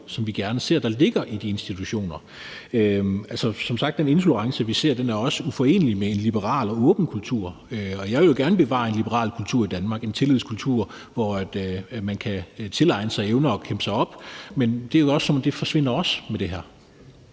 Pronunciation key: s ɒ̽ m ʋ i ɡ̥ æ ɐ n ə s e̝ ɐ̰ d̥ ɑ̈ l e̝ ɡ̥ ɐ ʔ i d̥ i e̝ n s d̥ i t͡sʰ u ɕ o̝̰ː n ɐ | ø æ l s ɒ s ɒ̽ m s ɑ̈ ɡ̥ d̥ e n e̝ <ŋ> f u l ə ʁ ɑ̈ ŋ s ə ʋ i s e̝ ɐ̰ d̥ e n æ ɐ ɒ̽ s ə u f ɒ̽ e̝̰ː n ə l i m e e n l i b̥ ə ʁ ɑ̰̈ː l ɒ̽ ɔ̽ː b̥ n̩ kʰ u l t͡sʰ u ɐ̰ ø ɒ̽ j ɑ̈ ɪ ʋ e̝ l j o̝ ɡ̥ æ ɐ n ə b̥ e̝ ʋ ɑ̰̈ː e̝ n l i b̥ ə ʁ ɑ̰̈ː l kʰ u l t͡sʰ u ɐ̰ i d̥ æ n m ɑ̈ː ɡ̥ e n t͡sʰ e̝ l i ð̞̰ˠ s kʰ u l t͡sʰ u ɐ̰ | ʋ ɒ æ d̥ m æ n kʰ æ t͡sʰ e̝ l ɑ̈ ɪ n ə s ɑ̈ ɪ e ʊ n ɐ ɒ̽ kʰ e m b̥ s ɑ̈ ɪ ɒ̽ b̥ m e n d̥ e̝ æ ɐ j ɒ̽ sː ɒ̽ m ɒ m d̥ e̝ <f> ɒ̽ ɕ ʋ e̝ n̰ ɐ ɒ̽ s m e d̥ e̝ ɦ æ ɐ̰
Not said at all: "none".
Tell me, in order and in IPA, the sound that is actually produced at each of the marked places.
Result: n, f

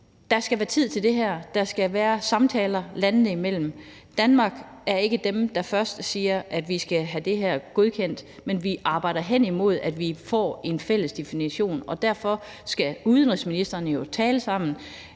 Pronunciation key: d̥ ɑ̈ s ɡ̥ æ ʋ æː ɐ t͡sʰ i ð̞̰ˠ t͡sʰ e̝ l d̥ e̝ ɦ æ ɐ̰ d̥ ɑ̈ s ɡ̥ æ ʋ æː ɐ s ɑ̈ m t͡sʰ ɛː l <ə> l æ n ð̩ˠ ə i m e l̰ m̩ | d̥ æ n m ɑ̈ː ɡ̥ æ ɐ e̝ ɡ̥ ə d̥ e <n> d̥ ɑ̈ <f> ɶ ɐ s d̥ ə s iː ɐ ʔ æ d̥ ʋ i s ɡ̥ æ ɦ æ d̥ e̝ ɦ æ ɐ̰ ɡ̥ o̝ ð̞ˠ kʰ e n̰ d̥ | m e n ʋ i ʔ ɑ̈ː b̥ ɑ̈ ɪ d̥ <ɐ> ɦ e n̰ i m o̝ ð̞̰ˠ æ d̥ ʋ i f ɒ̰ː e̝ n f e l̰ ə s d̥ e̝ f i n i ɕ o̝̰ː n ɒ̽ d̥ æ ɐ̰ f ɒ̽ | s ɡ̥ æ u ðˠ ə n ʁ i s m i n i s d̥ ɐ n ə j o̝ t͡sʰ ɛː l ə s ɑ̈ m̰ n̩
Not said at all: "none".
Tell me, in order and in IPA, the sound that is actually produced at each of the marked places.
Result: ɐ, m, f, ɐ

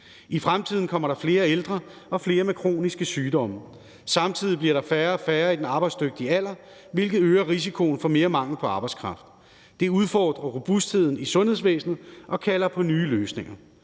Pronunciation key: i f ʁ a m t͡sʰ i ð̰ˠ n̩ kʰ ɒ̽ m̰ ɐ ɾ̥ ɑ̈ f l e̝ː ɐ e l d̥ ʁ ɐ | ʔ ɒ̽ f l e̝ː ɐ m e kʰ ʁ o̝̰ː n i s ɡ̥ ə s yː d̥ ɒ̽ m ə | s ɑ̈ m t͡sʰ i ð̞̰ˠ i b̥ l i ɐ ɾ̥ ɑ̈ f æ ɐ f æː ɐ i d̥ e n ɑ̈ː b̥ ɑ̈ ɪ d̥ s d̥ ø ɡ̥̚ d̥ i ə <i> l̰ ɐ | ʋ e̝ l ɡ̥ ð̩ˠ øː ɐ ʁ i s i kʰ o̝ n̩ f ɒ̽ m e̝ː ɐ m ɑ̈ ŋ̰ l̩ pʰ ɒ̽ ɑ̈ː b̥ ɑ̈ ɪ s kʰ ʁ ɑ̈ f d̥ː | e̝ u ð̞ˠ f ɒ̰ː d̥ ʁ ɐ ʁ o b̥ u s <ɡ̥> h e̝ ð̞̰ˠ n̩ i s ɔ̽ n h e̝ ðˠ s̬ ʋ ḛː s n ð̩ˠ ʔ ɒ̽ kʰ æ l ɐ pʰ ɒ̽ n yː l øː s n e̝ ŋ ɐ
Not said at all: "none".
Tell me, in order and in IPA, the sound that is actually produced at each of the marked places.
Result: æ, d̥

